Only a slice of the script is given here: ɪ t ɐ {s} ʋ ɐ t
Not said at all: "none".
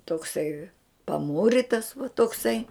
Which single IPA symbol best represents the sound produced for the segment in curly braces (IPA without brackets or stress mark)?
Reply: s